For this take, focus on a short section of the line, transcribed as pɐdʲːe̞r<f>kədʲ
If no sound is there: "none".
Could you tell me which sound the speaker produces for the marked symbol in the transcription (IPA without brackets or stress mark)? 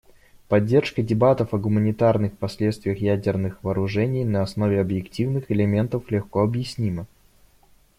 ʂ